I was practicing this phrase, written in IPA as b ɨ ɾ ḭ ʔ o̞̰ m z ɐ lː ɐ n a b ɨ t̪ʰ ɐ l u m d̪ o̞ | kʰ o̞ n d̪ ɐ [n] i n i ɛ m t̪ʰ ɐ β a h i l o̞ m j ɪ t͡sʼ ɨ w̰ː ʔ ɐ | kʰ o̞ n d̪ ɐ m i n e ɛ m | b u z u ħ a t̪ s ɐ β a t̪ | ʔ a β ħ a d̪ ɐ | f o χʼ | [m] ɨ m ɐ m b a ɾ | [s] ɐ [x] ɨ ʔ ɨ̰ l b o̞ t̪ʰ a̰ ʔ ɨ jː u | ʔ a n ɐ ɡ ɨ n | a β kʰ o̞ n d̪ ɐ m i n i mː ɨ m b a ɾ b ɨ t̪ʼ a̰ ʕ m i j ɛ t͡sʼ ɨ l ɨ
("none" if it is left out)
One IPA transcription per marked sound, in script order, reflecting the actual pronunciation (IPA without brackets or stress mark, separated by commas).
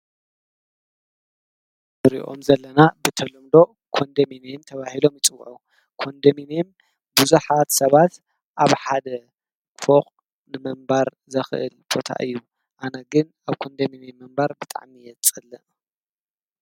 m, n, z, x